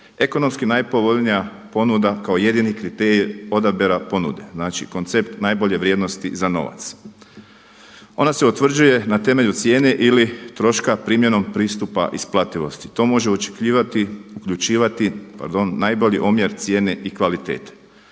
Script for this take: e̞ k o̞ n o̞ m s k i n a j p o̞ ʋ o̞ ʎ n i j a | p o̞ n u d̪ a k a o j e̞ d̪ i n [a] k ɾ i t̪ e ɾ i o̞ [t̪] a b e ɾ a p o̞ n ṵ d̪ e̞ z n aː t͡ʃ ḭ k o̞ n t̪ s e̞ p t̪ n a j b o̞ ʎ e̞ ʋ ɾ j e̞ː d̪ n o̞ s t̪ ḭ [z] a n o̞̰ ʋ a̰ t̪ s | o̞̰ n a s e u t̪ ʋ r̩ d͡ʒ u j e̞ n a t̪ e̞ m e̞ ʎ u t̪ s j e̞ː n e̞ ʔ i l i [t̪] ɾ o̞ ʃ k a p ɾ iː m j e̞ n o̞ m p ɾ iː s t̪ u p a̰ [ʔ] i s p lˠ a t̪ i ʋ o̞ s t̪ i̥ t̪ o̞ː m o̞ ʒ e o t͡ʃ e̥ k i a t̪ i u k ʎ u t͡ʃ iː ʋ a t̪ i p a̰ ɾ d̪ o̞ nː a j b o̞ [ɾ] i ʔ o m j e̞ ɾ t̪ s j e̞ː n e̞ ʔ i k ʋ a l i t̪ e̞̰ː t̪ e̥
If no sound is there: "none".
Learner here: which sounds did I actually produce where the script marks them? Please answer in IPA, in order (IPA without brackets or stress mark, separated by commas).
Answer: i, d̪, z, t̪, ʔ, ʎ